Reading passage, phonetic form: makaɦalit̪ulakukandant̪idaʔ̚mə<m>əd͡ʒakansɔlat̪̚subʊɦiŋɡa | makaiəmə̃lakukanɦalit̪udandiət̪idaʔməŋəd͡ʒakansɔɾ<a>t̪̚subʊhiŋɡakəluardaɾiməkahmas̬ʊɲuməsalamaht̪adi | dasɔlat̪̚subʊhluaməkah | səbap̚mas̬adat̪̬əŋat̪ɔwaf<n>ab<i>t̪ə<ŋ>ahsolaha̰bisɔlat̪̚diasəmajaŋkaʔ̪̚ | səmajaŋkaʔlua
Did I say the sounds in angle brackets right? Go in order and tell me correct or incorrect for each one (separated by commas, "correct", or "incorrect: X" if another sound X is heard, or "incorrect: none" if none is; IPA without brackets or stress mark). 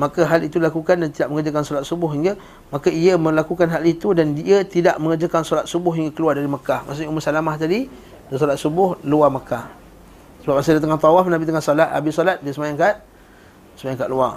incorrect: ŋ, correct, correct, correct, correct